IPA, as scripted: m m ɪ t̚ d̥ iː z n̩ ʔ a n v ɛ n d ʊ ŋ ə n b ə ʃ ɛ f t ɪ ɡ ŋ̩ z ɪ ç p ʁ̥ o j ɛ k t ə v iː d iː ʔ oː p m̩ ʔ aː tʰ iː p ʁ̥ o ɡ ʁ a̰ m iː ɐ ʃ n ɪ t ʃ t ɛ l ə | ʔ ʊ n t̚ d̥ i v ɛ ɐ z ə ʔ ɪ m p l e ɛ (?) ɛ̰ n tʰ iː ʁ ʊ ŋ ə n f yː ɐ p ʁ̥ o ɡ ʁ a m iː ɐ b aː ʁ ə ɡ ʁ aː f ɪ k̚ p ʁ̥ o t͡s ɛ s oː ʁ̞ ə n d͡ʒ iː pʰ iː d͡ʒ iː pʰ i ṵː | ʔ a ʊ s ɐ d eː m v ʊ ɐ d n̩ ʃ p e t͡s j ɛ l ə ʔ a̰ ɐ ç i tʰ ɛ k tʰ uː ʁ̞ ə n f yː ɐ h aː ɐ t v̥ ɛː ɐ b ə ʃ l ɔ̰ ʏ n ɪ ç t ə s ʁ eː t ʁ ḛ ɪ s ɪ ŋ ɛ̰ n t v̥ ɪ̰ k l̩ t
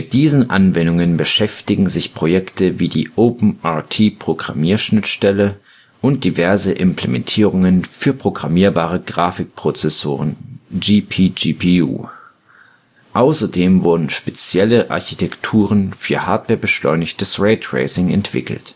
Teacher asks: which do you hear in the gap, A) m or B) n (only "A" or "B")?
A